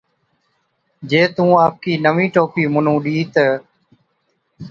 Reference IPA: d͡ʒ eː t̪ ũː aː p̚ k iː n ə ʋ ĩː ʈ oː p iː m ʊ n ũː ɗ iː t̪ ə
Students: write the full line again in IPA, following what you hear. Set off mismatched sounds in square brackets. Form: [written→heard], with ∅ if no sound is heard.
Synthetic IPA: d͡ʒ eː t̪ ũː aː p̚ k iː n ə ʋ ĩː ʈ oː p iː m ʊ n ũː ɗ iː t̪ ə